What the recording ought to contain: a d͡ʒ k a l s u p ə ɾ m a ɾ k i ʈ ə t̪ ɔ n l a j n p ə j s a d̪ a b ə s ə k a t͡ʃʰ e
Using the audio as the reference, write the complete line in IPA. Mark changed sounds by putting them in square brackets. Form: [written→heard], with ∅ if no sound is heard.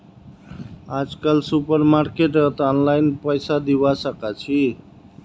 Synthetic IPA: a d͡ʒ k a l s u p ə ɾ m a ɾ k [i→e] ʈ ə t̪ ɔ n l a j n p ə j s a d̪ [a→i] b [ə→a] s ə k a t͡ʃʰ [e→i]